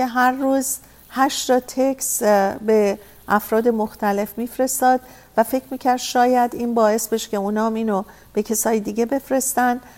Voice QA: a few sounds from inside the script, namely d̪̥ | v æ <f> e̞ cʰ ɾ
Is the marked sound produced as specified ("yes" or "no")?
yes